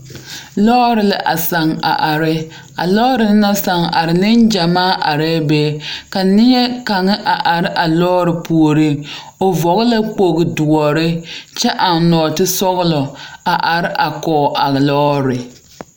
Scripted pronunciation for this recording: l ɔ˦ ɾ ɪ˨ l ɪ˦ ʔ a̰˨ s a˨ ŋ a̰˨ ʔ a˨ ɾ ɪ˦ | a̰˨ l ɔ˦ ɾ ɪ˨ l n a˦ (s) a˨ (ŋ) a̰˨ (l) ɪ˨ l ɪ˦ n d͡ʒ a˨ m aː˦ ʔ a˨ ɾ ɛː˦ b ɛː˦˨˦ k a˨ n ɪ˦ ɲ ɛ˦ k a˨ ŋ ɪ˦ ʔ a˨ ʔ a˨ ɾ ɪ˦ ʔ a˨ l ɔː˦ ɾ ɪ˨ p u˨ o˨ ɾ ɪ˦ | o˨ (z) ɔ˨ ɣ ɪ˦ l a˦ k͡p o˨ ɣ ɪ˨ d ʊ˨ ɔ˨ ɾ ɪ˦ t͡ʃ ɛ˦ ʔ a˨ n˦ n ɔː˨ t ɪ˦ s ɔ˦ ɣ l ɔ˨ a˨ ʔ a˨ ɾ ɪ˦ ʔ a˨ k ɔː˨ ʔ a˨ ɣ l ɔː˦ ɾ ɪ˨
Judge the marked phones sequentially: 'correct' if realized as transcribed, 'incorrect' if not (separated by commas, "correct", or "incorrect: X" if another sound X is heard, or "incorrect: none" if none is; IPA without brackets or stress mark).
correct, correct, incorrect: ɾ, incorrect: v